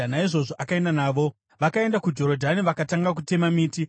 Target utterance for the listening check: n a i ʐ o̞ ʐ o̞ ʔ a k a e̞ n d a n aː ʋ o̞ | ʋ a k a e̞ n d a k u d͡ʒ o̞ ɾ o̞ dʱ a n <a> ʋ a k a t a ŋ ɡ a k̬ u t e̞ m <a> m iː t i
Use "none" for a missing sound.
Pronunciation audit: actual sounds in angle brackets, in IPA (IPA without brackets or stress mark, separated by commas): i, a